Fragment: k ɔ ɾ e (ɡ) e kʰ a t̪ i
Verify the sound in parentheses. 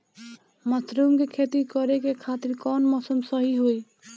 incorrect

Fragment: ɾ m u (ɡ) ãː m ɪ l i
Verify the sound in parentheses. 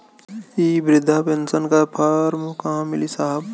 incorrect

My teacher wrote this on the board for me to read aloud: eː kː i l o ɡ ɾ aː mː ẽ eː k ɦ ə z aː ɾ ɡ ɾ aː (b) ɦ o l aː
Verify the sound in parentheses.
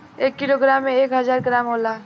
incorrect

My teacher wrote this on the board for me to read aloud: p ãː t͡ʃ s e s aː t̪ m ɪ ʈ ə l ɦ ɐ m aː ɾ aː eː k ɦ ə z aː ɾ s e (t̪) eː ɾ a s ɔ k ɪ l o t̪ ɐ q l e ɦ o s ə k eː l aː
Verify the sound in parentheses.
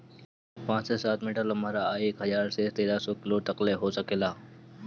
correct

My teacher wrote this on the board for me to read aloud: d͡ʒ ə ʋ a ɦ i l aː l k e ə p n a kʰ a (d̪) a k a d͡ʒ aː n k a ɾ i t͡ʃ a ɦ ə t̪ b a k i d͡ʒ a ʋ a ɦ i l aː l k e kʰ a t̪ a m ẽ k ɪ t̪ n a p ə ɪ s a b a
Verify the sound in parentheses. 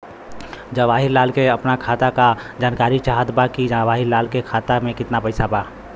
incorrect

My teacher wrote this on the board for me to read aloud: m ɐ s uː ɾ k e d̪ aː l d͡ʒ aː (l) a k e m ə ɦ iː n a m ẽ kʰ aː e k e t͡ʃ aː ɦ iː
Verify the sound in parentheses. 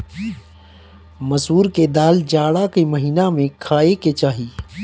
incorrect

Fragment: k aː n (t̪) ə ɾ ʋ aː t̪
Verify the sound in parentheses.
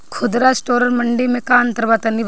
correct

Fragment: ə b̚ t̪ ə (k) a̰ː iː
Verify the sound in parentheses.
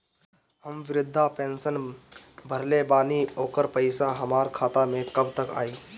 correct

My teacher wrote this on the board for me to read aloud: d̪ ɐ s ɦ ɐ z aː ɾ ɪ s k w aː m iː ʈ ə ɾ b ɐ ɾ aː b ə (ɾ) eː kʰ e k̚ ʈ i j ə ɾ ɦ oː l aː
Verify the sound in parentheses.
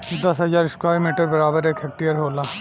correct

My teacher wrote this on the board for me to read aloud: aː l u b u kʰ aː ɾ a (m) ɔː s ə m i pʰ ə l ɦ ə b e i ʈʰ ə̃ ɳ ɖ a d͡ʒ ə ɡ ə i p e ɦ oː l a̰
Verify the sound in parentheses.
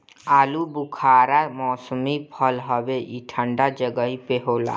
correct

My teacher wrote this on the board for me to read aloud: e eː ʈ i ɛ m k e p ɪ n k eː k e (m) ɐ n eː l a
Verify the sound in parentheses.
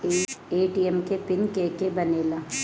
incorrect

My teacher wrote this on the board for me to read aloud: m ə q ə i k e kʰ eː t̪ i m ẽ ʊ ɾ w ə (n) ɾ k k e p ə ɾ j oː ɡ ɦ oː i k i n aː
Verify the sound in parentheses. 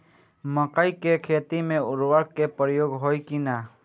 incorrect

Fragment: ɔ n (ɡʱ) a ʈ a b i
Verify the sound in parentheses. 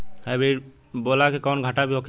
correct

